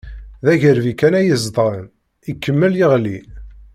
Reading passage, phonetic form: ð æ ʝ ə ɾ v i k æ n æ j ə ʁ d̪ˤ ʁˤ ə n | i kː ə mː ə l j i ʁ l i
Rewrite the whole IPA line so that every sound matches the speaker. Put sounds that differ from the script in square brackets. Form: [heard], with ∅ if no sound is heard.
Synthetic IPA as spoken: ð æ ʝ ə ɾ v i k æ n æ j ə [z] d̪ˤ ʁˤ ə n | i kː ə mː ə l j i ʁ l i